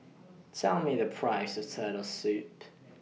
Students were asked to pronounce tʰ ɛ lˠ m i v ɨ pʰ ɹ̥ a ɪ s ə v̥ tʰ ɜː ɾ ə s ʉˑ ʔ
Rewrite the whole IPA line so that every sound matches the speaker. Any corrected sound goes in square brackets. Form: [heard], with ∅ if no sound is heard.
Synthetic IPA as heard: tʰ ɛ lˠ m i [ð] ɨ pʰ ɹ̥ a ɪ s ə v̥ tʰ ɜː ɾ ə s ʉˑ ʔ